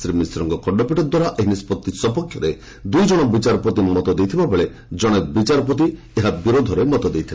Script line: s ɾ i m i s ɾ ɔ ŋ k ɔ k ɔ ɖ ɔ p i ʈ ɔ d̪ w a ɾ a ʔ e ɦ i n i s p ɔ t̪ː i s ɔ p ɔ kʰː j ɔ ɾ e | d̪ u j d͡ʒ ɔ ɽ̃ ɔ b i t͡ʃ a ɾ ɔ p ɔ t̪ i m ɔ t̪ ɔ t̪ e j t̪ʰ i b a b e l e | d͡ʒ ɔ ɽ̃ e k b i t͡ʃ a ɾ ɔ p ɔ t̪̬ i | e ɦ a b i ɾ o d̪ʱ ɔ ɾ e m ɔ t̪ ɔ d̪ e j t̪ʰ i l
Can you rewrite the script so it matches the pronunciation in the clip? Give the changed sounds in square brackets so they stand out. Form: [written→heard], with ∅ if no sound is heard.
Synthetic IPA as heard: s ɾ i m i s ɾ ɔ ŋ k ɔ k ɔ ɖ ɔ p i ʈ ɔ d̪ w a ɾ a ʔ e ɦ i n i s p ɔ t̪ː i s ɔ p ɔ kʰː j ɔ ɾ e | d̪ u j d͡ʒ ɔ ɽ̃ ɔ b i t͡ʃ a ɾ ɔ p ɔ t̪ i m ɔ t̪ ɔ [t̪→d̪] e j t̪ʰ i b a b e [l→ɭ] e | d͡ʒ ɔ ɽ̃ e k b i t͡ʃ a ɾ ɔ p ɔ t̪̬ i | e ɦ a b i ɾ o d̪ʱ ɔ ɾ e m ɔ t̪ ɔ d̪ e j t̪ʰ i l